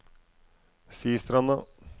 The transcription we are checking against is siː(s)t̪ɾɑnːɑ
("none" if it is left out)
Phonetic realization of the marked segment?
s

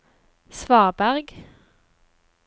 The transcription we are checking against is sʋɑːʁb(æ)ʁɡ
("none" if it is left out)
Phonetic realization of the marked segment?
æ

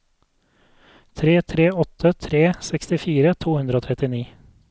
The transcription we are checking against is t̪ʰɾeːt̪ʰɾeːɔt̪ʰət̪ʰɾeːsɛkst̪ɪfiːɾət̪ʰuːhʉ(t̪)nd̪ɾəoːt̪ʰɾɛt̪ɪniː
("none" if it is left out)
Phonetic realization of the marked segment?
none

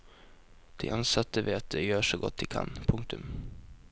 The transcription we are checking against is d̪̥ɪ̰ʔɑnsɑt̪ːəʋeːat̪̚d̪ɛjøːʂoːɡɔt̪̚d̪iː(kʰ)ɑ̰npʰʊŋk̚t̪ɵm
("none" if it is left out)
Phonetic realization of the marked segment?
kʰ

